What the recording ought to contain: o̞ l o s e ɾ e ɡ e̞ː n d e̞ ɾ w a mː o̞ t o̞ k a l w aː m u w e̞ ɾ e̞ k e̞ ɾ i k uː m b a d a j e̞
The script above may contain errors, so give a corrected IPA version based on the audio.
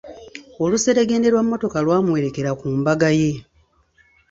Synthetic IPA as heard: o̞ l u s e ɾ e ɡ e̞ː n d e̞ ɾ w a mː o̞ t o̞ k a l w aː m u w e̞ ɾ e̞ k e̞ ɾ a k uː m b a ɡ a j e̞